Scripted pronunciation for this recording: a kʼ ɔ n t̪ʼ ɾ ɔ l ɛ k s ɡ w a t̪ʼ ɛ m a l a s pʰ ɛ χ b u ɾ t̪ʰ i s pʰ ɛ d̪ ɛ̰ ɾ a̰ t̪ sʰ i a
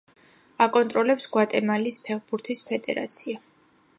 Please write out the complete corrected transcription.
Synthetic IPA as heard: a kʼ ɔ n t̪ʼ ɾ ɔ l ɛ p s ɡ w a t̪ʼ ɛ m a l i s pʰ ɛ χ b u ɾ t̪ʰ i s pʰ ɛ d̪ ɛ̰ ɾ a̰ t̪ sʰ i a